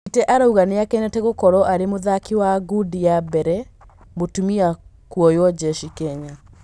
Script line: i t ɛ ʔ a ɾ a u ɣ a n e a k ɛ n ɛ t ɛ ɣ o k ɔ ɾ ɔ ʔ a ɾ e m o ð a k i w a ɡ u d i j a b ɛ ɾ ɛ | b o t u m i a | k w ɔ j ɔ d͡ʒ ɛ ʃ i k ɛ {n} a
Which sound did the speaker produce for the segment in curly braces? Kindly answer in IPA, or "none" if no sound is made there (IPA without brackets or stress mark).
ɲ